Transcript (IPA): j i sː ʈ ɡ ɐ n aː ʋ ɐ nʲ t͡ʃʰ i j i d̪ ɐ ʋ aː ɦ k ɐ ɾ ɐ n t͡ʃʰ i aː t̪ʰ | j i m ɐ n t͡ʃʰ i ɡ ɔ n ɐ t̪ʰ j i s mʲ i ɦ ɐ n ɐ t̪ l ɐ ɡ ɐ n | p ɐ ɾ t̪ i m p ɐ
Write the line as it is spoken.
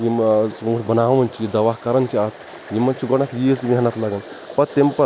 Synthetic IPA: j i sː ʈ b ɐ n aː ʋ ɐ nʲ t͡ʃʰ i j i d̪ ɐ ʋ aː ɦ k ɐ ɾ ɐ n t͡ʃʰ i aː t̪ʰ | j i m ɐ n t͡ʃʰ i ɡ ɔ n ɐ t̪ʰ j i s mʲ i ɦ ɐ n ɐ t̪ l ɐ ɡ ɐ n | p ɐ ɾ t̪ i m p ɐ